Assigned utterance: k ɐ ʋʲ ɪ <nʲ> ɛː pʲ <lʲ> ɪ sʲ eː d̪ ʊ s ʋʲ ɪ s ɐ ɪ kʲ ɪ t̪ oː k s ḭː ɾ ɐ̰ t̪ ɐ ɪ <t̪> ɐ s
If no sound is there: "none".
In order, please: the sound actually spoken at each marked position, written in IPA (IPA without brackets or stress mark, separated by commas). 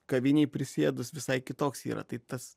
nʲ, ɾʲ, t̪